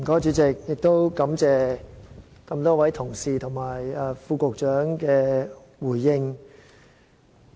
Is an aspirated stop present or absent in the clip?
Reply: present